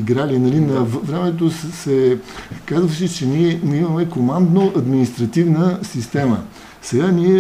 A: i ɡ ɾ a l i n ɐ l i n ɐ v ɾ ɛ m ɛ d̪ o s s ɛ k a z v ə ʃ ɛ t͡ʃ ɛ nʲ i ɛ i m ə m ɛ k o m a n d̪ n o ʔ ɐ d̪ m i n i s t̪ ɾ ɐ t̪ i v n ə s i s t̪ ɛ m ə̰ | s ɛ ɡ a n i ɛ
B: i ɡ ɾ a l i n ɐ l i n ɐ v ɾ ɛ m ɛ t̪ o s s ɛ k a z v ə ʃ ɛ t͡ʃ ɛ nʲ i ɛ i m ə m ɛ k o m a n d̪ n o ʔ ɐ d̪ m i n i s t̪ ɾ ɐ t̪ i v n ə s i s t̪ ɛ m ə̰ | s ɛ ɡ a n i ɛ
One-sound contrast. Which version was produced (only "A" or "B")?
B